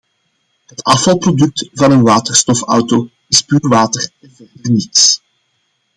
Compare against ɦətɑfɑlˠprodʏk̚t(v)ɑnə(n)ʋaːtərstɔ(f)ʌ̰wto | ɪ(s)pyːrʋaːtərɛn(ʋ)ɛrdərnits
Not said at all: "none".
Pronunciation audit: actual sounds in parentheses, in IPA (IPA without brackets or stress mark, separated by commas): v, n, f, s, v